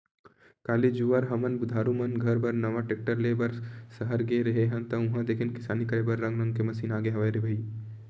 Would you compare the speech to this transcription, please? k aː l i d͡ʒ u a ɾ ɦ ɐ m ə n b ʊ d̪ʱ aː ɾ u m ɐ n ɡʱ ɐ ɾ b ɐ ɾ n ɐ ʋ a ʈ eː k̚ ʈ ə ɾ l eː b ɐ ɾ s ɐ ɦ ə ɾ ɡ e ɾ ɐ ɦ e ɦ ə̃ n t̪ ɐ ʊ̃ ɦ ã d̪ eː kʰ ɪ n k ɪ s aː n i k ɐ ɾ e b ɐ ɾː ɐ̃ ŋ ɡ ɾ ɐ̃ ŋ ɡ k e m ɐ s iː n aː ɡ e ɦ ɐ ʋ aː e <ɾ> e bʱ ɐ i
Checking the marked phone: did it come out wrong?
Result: no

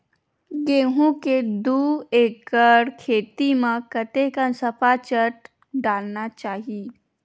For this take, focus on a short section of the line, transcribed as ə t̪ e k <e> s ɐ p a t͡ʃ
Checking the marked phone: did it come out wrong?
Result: yes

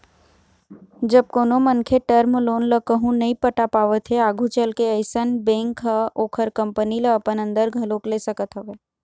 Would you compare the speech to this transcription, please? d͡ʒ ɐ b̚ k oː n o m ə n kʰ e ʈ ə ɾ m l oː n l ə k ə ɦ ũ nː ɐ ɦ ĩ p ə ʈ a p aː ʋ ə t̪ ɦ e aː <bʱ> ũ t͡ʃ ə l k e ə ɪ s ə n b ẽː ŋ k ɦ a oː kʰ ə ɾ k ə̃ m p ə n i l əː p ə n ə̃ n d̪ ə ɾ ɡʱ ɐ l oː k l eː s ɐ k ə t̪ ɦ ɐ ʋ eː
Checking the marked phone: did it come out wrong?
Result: yes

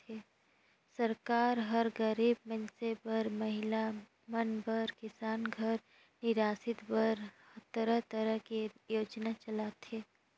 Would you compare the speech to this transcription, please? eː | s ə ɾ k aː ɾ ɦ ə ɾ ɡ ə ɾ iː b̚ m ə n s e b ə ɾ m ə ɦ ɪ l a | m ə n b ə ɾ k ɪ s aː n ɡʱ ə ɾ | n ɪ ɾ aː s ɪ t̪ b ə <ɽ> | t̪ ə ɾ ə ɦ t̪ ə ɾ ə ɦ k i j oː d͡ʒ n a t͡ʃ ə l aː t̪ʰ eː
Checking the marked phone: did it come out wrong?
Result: yes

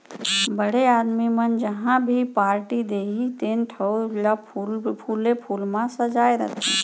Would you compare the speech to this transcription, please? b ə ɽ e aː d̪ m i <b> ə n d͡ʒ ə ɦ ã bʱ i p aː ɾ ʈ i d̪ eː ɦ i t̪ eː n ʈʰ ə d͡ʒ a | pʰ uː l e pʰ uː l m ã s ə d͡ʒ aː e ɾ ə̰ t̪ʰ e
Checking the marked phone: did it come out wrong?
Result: yes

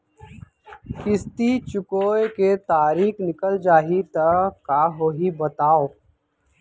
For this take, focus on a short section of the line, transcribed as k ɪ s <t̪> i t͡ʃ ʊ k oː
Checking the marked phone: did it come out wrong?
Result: no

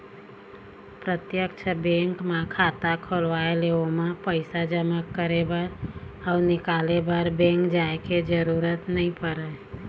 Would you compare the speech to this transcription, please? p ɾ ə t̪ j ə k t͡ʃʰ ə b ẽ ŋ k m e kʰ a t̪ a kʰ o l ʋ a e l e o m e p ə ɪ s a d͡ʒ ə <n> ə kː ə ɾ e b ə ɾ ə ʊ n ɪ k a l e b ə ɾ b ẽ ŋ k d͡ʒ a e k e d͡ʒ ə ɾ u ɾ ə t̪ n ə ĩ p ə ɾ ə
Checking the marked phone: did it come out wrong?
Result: yes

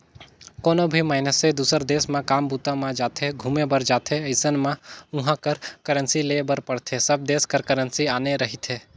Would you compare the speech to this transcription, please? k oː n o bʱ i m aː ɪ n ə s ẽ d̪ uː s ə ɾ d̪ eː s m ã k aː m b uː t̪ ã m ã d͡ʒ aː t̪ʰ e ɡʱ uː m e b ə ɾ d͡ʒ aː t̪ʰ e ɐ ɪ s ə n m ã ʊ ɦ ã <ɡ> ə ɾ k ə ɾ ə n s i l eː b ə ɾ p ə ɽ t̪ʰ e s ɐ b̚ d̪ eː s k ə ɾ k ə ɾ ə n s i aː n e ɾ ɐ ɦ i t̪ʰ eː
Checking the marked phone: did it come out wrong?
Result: yes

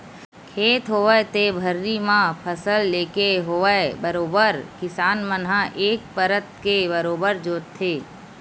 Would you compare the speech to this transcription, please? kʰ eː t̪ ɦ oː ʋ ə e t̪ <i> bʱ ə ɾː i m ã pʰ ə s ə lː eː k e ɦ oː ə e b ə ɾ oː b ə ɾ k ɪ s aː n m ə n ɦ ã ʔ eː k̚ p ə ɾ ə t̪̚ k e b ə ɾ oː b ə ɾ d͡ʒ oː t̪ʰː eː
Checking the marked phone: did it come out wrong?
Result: yes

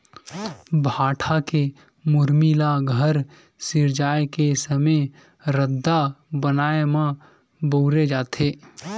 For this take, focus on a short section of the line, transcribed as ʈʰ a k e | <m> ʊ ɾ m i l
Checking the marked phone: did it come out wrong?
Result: no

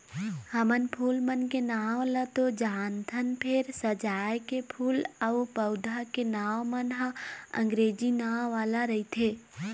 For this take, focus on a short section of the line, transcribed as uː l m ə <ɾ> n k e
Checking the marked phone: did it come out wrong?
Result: yes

